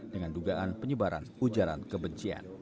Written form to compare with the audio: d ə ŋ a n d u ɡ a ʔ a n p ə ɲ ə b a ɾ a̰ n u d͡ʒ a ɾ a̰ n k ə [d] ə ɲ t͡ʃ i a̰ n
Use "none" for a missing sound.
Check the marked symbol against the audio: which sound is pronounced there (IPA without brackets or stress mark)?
b